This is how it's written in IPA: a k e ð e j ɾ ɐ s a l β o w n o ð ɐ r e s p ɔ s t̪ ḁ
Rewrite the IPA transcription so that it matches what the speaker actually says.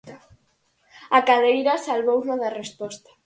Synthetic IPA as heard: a k a ð e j ɾ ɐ s a l β o w n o ð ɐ r e s p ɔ s t̪ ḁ